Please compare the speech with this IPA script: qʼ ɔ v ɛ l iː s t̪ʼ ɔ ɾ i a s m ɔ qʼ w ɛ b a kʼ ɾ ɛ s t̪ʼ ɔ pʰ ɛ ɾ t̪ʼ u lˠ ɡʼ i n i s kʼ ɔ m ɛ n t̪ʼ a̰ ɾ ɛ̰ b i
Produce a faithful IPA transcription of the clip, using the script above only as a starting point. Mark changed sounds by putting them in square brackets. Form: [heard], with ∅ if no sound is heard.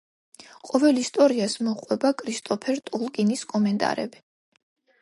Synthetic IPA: qʼ ɔ v ɛ l [i] s t̪ʼ ɔ ɾ i a s m ɔ qʼ w ɛ b a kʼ ɾ [i] s t̪ʼ ɔ pʰ ɛ ɾ t̪ʼ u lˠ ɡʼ i n i s kʼ ɔ m ɛ n t̪ʼ a̰ ɾ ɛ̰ b i

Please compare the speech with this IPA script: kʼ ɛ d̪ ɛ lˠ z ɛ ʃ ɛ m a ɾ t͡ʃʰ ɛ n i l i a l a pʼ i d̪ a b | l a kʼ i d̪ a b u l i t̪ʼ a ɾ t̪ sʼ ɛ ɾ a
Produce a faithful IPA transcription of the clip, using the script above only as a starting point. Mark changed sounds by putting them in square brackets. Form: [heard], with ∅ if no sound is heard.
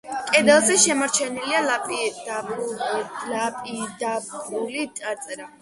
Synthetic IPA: kʼ ɛ d̪ ɛ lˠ z ɛ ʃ ɛ m a ɾ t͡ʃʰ ɛ n i l i a l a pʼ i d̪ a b | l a [pʼ] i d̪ a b u l i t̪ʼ a ɾ t̪ sʼ ɛ ɾ a

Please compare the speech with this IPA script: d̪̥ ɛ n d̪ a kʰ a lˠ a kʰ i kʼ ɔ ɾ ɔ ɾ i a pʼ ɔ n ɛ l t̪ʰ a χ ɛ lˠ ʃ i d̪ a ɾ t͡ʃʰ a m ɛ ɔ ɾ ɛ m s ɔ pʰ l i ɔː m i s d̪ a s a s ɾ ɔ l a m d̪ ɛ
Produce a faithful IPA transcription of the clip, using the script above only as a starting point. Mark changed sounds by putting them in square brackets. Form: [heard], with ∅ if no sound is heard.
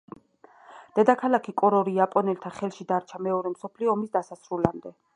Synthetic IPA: d̪̥ ɛ [∅] d̪ a kʰ a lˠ a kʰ i kʼ ɔ ɾ ɔ ɾ i a pʼ ɔ n ɛ l t̪ʰ a χ ɛ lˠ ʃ i d̪ a ɾ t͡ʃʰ a m ɛ ɔ ɾ ɛ m s ɔ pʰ l i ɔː m i s d̪ a s a s ɾ [u] l a m d̪ ɛ

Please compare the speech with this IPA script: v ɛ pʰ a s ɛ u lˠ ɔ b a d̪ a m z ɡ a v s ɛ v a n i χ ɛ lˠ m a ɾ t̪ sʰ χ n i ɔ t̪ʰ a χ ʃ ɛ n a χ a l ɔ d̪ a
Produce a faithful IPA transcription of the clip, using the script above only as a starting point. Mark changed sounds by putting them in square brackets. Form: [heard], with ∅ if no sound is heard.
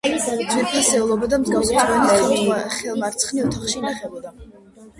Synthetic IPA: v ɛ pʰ a s ɛ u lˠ ɔ b a d̪ a m z ɡ a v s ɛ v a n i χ ɛ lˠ m a ɾ t̪ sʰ χ n i ɔ t̪ʰ a χ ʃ [i] n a χ [ɛ] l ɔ d̪ a

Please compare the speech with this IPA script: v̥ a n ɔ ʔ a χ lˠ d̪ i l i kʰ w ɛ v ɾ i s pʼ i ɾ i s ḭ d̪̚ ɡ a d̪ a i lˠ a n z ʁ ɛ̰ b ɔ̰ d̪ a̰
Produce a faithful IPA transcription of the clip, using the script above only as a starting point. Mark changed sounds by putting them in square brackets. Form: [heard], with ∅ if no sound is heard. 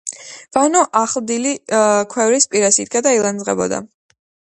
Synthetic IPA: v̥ a n ɔ ʔ a χ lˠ d̪ i l i kʰ w ɛ v ɾ i s pʼ i ɾ [a] s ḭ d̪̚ ɡ a d̪ a i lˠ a n z ʁ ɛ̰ b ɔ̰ d̪ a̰

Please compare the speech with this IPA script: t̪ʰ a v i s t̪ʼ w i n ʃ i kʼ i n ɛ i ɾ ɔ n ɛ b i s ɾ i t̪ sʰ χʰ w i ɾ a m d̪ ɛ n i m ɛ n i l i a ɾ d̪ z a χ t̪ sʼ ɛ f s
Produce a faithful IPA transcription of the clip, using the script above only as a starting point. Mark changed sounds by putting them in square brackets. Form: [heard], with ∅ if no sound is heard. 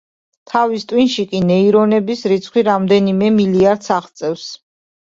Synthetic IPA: t̪ʰ a v i s t̪ʼ w i n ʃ i kʼ i n ɛ i ɾ ɔ n ɛ b i s ɾ i t̪ sʰ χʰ w i ɾ a m d̪ ɛ n i m ɛ [m] i l i a ɾ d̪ [s] a χ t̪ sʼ ɛ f s

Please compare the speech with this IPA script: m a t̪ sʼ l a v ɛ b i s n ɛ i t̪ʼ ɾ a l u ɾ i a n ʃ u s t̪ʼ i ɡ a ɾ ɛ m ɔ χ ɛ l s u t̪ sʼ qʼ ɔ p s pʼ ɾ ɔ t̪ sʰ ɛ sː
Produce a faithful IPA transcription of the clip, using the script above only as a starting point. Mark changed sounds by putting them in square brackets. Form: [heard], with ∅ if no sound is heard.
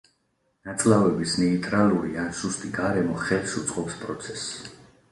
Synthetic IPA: [n] a t̪ sʼ l a v ɛ b i s n ɛ i t̪ʼ ɾ a l u ɾ i a n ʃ u s t̪ʼ i ɡ a ɾ ɛ m ɔ χ ɛ l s u t̪ sʼ qʼ ɔ p s pʼ ɾ ɔ t̪ sʰ ɛ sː

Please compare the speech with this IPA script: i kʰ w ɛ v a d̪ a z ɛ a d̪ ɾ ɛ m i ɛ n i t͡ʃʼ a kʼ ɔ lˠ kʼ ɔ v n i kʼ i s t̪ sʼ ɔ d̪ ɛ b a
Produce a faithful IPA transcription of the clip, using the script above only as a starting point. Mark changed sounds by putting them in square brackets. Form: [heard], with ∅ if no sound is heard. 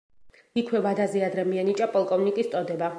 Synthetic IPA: i kʰ w ɛ v a d̪ a z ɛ a d̪ ɾ ɛ m i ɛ n i t͡ʃʼ a [pʼ] ɔ lˠ kʼ ɔ v n i kʼ i s t̪ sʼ ɔ d̪ ɛ b a

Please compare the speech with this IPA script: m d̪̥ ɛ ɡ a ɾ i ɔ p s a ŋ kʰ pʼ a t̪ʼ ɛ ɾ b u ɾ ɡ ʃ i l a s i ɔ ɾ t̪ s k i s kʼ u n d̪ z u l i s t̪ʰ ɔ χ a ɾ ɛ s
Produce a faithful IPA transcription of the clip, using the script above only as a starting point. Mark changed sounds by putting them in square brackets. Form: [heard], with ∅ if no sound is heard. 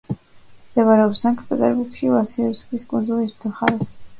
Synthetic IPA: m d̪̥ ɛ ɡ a ɾ [ɛ] ɔ p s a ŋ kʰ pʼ [ɛ] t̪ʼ ɛ ɾ b u ɾ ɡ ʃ i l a s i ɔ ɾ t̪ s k i s kʼ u n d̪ z u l i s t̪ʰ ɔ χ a ɾ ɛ s

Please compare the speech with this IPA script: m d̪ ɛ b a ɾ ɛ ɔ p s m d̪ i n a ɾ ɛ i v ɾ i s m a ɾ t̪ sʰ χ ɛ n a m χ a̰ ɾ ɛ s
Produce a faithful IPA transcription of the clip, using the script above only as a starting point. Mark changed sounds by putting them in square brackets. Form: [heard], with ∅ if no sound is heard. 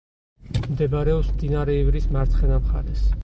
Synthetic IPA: m d̪ ɛ b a ɾ ɛ ɔ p s m d̪ i n a ɾ ɛ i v ɾ i s m a ɾ t̪ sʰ χ ɛ n a m χ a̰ ɾ ɛ s

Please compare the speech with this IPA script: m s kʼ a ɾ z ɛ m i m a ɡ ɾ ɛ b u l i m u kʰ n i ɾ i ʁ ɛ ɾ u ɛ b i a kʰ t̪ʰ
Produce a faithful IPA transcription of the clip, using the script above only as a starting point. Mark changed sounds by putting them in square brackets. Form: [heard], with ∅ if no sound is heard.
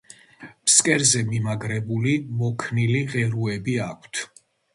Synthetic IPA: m s kʼ [ɛ] ɾ z ɛ m i m a ɡ ɾ ɛ b u l i m [ɔ] kʰ n i [l] i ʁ ɛ ɾ u ɛ b i a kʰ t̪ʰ

